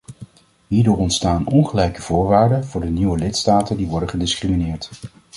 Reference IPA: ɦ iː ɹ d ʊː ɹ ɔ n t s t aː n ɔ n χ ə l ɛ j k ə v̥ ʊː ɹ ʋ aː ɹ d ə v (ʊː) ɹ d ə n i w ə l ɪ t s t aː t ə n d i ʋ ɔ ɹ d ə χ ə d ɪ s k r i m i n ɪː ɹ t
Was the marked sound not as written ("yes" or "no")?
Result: no